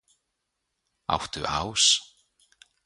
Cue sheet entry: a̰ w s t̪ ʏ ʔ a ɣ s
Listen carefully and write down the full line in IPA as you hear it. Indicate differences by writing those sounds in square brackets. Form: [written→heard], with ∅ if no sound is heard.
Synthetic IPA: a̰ w [s→h] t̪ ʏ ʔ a [ɣ→w] s